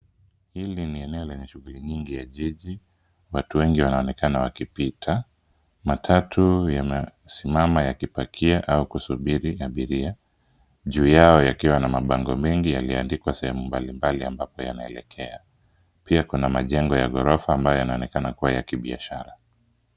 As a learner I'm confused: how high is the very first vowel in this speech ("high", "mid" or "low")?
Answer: high